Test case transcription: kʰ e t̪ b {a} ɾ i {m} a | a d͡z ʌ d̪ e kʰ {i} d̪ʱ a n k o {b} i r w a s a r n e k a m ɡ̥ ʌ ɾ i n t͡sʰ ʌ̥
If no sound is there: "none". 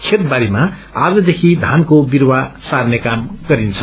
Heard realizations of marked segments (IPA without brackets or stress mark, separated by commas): a, m, i, b